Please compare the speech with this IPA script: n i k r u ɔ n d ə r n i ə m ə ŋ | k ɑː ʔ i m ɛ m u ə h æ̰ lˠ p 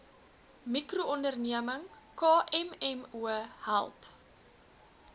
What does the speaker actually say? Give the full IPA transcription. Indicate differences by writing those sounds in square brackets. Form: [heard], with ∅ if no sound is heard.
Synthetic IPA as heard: [m] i k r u ɔ n d ə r n i ə m ə ŋ | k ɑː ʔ [ɛ] m ɛ m u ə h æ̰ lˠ p